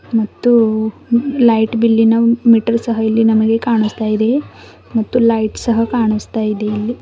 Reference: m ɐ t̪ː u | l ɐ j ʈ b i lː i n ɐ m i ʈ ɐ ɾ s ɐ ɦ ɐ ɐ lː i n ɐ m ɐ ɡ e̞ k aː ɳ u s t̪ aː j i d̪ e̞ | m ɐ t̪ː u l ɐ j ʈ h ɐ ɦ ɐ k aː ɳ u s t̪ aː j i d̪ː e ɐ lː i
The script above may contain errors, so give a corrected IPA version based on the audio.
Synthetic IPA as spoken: m ɐ t̪ː u | l ɐ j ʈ b i lː i n ɐ m i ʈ ɐ ɾ s ɐ ɦ ɐ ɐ lː i n ɐ m ɐ ɡ e̞ k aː ɳ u s t̪ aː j i d̪ e̞ | m ɐ t̪ː u l ɐ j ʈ s ɐ ɦ ɐ k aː ɳ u s t̪ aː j i d̪ e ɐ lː i